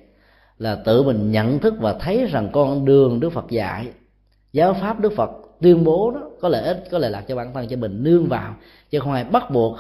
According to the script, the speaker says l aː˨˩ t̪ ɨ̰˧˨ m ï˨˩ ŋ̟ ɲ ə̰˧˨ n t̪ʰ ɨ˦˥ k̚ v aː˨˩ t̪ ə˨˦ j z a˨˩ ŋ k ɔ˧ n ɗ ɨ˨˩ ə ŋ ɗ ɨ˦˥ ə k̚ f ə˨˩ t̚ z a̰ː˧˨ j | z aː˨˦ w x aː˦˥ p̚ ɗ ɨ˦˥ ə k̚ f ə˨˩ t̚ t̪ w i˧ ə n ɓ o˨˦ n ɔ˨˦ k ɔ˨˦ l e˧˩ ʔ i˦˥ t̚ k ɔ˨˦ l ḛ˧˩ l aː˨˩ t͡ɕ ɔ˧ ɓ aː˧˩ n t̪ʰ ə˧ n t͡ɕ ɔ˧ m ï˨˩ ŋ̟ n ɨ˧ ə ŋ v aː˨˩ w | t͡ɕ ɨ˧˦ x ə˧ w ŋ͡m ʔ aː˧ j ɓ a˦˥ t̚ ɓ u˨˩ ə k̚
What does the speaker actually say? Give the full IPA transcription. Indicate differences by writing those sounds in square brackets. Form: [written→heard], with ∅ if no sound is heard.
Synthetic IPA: l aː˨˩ t̪ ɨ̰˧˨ m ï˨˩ ŋ̟ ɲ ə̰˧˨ n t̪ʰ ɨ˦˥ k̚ v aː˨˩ [t̪→t̪ʰ] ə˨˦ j z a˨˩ ŋ k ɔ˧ n ɗ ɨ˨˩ ə ŋ ɗ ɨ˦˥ ə k̚ f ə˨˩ t̚ z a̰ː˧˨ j | z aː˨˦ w [x→f] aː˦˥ p̚ ɗ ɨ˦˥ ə k̚ f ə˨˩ t̚ t̪ w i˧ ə n ɓ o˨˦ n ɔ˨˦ k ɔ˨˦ l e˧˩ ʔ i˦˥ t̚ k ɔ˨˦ l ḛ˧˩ l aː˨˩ t͡ɕ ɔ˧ ɓ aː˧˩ n t̪ʰ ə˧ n t͡ɕ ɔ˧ m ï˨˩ ŋ̟ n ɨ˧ ə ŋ v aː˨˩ w | t͡ɕ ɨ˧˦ x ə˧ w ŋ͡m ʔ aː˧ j ɓ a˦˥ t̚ ɓ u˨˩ ə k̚